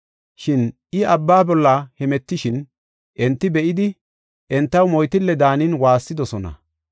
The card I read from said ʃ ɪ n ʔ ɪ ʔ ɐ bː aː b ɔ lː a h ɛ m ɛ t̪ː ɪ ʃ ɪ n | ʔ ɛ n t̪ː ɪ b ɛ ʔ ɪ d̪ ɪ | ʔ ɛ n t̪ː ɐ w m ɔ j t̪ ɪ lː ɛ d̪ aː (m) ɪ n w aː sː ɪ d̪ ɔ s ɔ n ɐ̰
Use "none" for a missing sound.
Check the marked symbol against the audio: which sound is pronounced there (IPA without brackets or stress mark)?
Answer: n